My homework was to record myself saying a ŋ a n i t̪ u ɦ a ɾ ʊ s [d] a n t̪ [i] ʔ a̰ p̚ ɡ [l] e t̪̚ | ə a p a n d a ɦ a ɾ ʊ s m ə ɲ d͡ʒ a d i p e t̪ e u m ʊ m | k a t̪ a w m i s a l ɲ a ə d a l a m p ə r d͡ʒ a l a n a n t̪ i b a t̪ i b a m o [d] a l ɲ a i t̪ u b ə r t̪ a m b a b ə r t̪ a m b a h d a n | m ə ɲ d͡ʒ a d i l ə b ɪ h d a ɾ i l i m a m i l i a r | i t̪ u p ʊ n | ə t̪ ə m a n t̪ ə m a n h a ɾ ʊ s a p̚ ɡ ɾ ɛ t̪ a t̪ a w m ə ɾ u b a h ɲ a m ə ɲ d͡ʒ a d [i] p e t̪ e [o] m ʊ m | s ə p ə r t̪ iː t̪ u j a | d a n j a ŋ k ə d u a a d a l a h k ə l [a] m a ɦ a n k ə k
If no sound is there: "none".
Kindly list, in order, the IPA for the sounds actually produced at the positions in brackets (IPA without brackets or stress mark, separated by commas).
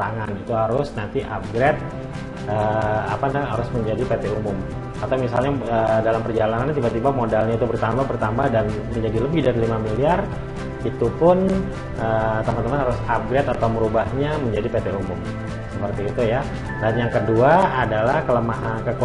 n, i, ɾ, d, i, u, ə